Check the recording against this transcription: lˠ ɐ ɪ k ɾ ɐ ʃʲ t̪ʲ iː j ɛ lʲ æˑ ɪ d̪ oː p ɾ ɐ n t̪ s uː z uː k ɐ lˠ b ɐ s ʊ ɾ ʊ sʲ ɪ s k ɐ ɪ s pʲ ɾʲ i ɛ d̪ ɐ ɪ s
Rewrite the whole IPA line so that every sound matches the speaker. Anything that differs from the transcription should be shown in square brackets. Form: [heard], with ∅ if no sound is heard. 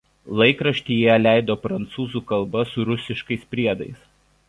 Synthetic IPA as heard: lˠ ɐ ɪ k ɾ ɐ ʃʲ t̪ʲ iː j ɛ lʲ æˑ ɪ d̪ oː p ɾ ɐ n t̪ s uː z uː k ɐ lˠ b ɐ s ʊ ɾ ʊ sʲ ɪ [ʃ] k ɐ ɪ s pʲ ɾʲ i ɛ d̪ ɐ ɪ s